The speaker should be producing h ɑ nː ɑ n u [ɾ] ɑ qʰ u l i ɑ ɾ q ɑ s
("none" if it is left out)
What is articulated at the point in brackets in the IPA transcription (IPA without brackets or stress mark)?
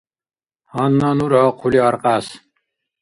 ɾ